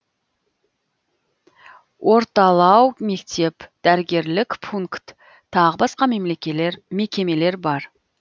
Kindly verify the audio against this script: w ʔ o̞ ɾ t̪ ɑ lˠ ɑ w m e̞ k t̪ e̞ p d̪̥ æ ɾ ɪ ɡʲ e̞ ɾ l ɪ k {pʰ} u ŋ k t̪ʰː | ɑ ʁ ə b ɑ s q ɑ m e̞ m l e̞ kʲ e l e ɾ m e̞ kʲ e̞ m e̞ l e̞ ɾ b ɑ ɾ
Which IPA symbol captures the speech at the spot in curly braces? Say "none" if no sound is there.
pʰ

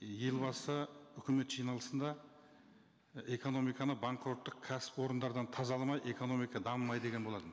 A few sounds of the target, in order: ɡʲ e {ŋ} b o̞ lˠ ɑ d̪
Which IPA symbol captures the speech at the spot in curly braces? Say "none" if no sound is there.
n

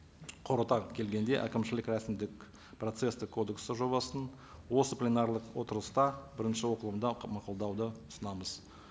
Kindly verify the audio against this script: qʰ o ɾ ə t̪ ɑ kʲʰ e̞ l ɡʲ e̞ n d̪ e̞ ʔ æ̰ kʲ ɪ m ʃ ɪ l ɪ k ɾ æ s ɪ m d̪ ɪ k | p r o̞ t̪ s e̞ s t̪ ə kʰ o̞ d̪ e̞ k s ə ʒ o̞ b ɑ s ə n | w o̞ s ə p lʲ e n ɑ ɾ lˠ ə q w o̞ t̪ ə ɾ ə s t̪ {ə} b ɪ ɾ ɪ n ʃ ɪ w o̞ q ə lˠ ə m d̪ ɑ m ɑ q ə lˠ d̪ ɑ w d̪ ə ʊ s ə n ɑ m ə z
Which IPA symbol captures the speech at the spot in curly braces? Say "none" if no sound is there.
ɑ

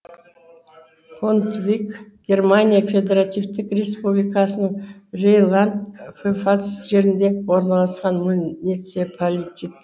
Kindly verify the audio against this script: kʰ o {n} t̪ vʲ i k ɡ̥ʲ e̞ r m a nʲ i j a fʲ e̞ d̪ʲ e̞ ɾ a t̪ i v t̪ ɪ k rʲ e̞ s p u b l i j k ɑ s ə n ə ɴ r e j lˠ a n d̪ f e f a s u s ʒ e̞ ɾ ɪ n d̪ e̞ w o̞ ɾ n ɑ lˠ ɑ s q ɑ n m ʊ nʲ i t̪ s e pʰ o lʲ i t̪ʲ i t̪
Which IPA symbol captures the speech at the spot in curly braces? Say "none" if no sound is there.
n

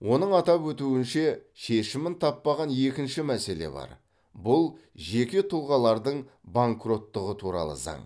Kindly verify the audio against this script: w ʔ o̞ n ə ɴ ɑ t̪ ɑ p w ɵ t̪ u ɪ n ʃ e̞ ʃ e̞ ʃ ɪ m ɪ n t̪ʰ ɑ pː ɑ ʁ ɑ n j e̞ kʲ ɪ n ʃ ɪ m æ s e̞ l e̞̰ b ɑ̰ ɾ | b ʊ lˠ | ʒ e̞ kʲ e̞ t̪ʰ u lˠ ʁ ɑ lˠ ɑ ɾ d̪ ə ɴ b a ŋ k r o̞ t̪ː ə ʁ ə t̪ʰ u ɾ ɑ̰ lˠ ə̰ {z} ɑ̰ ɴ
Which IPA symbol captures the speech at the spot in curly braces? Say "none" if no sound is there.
z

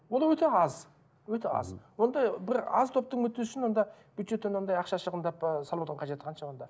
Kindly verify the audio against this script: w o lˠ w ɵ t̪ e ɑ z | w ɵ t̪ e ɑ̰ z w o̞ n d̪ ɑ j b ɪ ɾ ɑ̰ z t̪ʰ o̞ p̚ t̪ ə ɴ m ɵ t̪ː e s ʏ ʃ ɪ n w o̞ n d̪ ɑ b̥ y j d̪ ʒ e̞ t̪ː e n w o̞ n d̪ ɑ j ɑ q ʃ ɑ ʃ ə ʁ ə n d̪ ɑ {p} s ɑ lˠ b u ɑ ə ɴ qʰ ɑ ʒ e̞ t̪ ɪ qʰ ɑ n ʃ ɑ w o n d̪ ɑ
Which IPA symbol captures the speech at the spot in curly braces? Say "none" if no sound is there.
p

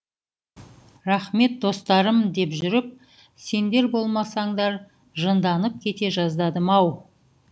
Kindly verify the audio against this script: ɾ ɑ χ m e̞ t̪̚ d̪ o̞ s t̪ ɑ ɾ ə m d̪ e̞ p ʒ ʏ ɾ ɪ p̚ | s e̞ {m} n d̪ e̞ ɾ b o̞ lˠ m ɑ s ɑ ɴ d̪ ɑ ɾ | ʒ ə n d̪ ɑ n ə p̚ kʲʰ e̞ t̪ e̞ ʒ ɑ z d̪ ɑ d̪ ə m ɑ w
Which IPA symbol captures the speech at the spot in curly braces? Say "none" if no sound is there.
none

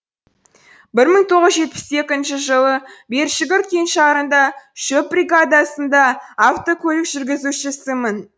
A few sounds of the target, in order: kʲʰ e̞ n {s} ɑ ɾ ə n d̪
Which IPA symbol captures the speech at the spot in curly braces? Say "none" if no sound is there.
ʃ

